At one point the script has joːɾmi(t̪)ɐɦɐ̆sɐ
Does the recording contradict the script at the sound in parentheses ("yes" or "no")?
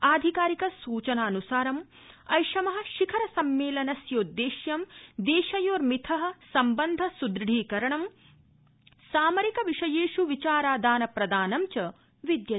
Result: yes